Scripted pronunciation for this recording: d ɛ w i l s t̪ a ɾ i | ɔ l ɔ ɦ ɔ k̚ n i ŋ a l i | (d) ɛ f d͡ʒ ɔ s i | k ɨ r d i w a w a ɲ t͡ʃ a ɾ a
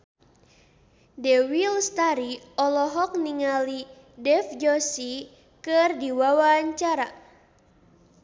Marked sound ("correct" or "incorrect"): correct